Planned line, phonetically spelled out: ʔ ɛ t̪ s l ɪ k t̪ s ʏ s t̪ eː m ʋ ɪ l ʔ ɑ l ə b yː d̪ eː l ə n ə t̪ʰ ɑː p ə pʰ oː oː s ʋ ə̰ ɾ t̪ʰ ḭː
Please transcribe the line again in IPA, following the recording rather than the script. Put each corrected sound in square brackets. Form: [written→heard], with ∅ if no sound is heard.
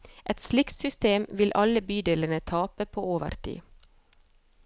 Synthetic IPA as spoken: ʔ ɛ t̪ s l ɪ k t̪ s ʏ s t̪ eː m ʋ ɪ l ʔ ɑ l ə b yː d̪ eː l ə n ə t̪ʰ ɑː p ə pʰ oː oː [s→∅] ʋ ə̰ ɾ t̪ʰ ḭː